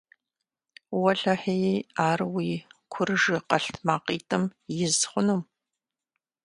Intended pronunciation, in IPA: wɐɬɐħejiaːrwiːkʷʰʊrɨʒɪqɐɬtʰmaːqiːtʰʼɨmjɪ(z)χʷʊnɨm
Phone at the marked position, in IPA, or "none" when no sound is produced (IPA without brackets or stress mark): z